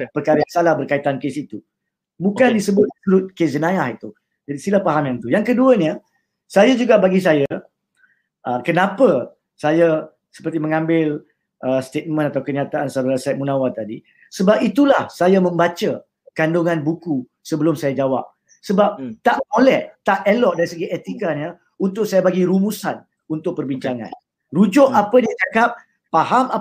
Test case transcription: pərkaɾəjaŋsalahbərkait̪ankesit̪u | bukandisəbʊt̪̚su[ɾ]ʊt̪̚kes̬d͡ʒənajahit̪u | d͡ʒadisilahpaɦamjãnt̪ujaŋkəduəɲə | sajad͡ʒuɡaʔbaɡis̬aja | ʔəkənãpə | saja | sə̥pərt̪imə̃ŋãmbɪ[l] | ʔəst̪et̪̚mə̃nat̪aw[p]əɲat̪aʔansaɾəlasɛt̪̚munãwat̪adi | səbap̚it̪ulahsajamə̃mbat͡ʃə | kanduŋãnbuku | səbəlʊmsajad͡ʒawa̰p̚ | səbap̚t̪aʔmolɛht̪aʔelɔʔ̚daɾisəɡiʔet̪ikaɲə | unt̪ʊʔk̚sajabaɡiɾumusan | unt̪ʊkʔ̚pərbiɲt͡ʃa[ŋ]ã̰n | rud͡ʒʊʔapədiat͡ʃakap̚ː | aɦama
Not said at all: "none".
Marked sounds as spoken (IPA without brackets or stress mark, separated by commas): ɾ, l, k, ŋ